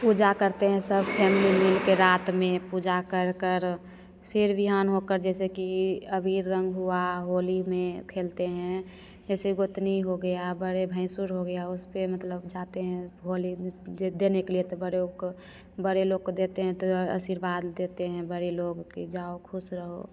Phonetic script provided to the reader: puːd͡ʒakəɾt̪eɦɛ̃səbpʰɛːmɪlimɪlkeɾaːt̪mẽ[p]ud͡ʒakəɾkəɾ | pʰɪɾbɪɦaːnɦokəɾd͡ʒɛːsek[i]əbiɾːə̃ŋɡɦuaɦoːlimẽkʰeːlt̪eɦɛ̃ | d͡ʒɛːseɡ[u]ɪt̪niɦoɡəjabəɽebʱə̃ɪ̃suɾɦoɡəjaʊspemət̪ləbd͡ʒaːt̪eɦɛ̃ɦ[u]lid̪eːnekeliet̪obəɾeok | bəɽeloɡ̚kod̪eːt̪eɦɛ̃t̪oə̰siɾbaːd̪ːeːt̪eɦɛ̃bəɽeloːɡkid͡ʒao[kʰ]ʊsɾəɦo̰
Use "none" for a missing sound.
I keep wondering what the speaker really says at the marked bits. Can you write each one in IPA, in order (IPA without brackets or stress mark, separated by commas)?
p, i, o, o, kʰ